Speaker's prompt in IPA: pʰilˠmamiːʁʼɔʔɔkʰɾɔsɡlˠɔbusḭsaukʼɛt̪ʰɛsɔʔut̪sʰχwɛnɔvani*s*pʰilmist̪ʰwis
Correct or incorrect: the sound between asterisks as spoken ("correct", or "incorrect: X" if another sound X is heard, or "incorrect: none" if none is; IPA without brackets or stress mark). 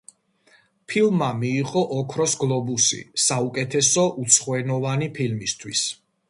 incorrect: none